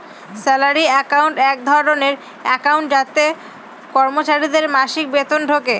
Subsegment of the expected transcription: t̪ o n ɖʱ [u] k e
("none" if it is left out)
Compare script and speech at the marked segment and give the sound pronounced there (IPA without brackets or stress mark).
o